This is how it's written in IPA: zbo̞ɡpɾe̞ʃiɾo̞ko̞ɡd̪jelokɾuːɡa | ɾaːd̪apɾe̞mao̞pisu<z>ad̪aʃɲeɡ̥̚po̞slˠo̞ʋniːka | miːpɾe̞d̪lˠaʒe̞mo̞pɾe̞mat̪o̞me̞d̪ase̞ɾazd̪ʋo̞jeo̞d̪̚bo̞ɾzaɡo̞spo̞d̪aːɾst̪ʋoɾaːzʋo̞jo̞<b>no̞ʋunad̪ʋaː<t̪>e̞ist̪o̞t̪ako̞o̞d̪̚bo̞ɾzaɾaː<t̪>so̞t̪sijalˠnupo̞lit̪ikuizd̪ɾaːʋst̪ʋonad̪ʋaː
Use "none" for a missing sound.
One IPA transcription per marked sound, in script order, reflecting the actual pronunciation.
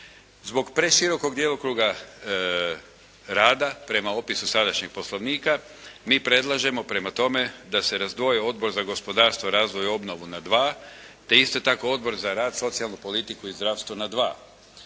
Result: s, b, t̪, d̪

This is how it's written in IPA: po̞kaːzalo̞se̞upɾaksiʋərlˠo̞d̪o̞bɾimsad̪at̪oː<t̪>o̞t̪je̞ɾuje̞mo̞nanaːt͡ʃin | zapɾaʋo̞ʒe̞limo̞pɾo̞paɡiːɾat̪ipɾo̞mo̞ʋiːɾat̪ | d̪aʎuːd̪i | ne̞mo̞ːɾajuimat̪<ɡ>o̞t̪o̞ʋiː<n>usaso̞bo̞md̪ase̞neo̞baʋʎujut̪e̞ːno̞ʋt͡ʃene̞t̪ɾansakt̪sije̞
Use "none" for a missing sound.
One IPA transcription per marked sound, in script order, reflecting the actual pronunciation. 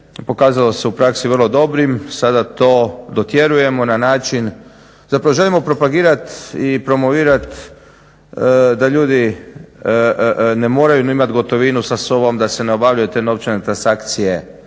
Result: d̪, ɡ, n

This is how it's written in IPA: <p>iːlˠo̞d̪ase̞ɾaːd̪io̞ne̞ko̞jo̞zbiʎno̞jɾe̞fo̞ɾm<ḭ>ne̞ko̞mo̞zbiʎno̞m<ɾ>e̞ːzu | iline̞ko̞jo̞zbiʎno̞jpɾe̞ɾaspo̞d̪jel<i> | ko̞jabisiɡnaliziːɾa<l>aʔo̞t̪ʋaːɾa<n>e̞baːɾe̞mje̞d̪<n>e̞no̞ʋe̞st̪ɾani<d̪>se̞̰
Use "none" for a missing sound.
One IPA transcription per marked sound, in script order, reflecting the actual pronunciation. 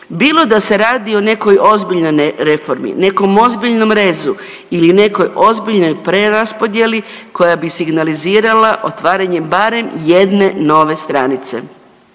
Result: b, ḭ, ɾ, i, l, ɲ, n, t̪

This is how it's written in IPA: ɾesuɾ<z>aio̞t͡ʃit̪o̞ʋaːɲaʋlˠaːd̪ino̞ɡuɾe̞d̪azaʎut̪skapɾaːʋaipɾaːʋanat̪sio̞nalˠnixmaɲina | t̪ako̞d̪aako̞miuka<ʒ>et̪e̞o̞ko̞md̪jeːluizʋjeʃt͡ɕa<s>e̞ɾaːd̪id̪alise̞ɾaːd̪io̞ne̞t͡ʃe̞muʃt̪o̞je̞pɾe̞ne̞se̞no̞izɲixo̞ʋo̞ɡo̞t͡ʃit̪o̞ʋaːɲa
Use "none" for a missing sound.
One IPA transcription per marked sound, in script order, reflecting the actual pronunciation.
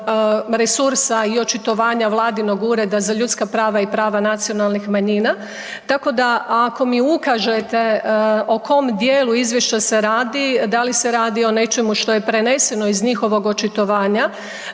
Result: s, ʒ, s

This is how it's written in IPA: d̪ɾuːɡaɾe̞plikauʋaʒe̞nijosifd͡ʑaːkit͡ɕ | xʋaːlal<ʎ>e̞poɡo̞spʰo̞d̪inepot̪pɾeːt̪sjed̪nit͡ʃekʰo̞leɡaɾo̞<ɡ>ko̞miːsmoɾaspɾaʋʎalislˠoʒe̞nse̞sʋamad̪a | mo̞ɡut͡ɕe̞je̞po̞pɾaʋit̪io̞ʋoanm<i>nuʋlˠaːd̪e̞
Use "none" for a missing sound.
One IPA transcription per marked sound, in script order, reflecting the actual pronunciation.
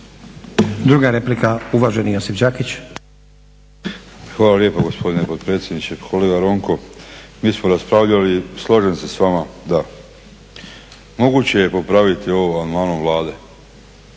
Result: j, ŋ, a

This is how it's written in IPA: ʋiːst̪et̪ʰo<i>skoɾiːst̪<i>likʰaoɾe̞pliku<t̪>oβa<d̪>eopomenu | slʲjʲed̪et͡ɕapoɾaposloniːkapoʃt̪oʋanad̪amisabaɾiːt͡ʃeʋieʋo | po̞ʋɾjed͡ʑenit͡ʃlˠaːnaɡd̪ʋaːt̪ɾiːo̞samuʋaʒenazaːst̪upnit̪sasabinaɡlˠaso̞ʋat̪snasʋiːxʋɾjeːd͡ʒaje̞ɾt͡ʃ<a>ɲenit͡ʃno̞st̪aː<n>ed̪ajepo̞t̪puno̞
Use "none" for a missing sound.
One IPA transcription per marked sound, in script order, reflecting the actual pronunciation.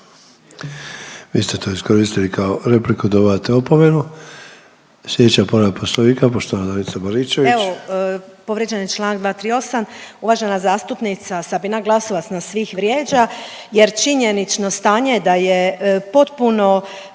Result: i, i, d̪, t̪, i, ɲ

